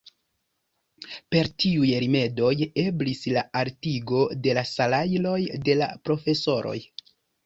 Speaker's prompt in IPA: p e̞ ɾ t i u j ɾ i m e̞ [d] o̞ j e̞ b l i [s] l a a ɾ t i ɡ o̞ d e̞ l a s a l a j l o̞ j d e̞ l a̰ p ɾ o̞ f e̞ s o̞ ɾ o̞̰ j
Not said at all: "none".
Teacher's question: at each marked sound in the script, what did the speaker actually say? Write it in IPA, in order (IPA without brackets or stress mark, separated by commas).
d, s